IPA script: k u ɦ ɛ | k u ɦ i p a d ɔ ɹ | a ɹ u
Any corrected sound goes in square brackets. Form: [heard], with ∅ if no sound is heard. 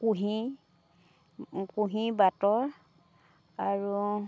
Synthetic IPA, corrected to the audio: k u ɦ [i] | k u ɦ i [b] a [t] ɔ ɹ | a ɹ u